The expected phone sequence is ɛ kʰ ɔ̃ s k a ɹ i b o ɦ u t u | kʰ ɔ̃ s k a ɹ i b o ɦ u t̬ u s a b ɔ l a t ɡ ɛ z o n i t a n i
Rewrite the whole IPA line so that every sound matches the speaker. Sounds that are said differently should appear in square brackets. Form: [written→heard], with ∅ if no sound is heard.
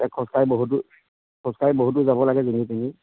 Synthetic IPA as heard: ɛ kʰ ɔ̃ s k a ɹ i b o ɦ u t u | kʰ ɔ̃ s k a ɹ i b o ɦ u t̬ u [s→z] a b ɔ l a [t→∅] ɡ ɛ z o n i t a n i